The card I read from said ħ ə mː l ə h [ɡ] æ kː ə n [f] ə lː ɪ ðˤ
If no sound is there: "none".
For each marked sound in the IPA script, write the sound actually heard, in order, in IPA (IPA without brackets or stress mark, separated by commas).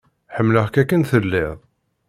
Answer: k, θ